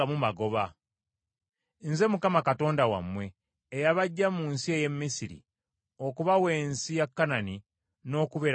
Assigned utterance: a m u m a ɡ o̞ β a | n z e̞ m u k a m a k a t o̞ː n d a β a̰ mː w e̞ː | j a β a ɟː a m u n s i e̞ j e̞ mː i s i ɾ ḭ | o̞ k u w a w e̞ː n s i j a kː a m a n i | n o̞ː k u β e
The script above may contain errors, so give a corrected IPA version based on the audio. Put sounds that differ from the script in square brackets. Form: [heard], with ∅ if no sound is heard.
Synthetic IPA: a m u m a ɡ o̞ β a | n z e̞ m u k a m a k a t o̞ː n d a [w] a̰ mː w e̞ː | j a β a ɟː a m u n s i e̞ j e̞ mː i s i ɾ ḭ | o̞ k u [β] a w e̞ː n s i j a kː a [n] a n i | n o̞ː k u β e